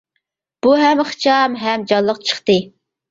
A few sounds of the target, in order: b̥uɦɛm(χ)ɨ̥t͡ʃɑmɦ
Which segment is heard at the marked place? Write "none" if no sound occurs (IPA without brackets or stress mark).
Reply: χ